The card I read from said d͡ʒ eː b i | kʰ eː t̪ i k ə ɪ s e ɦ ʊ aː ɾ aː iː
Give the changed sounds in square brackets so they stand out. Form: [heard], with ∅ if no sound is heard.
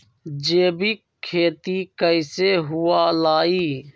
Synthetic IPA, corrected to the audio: d͡ʒ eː b i | kʰ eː t̪ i k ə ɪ s e ɦ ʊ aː [l] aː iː

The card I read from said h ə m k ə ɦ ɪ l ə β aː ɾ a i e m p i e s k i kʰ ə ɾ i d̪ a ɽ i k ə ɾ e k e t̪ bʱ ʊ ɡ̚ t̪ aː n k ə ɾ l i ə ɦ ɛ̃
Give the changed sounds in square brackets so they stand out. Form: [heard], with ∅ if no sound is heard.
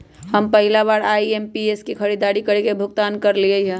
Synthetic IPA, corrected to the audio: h ə m [p] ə ɦ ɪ l [a] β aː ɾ a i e m p i e s k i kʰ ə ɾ i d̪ a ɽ i k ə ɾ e k e [∅] bʱ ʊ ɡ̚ t̪ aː n k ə ɾ l i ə ɦ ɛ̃

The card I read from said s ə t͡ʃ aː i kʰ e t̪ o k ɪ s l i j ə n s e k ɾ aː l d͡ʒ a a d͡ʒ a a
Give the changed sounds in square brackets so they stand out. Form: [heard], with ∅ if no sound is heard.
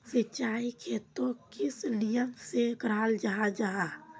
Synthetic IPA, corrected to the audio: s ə t͡ʃ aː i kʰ e t̪ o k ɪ s l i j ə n s e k ɾ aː l d͡ʒ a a d͡ʒ a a

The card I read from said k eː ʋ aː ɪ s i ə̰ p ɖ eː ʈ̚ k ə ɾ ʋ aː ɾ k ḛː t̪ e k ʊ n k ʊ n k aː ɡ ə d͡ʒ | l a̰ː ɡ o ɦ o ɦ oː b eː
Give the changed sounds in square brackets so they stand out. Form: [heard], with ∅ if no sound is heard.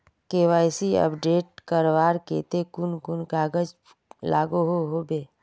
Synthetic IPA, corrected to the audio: k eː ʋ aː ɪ s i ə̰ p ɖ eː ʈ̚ k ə ɾ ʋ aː ɾ k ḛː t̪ e k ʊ n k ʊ n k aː ɡ ə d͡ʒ | l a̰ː ɡ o ɦ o ɦ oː b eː

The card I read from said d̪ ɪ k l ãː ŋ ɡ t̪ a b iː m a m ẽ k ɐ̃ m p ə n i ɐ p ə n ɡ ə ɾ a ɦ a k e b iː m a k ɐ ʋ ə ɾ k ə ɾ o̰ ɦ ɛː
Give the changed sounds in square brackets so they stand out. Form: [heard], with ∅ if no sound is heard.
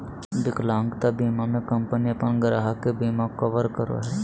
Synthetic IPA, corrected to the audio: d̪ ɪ k l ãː ŋ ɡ t̪ a b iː m a m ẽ k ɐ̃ m p ə n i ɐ p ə n ɡ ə ɾ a ɦ a k e b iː m a k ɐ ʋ ə ɾ k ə ɾ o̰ ɦ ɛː

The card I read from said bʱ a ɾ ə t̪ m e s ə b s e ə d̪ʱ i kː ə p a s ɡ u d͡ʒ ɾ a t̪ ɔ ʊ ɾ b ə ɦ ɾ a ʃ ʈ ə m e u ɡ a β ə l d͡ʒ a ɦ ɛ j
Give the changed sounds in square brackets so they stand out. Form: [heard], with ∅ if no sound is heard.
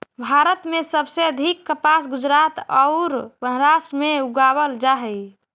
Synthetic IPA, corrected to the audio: bʱ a ɾ ə t̪ m e s ə b s e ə d̪ʱ i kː ə p a s ɡ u d͡ʒ ɾ a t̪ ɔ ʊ ɾ b ə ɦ ɾ a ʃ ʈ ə m e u ɡ a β ə l d͡ʒ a ɦ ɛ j

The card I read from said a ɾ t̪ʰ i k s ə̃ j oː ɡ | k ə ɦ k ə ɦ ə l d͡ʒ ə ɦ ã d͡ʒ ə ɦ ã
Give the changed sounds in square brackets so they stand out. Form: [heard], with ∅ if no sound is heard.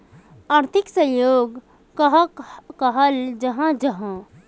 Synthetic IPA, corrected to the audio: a ɾ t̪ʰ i k s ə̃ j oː ɡ | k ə ɦ k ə ɦ ə l d͡ʒ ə ɦ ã d͡ʒ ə ɦ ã

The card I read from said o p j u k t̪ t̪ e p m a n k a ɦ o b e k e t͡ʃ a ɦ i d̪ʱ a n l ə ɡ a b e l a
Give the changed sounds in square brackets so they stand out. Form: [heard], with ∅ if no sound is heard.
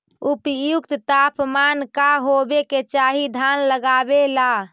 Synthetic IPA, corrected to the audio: [u] p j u k t̪ t̪ [a] p m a n k a ɦ o b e k e t͡ʃ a ɦ i d̪ʱ a n l ə ɡ a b e l a

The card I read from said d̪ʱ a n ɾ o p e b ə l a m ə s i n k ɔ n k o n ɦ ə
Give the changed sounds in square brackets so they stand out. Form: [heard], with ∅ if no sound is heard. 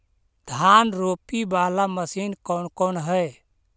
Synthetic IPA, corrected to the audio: d̪ʱ a n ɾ o p [i] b [a] l a m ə s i n k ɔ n k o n ɦ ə

